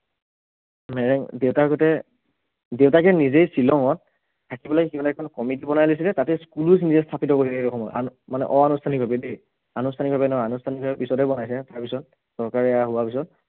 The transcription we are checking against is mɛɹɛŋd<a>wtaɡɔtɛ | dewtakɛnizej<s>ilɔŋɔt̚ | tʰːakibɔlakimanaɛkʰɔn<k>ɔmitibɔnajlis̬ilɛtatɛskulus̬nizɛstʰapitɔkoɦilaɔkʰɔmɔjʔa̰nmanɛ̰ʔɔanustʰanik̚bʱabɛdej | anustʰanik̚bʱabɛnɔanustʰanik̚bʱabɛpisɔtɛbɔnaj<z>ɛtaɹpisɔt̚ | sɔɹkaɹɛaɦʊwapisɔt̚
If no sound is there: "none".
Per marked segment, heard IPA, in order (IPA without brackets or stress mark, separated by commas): e, s, k, s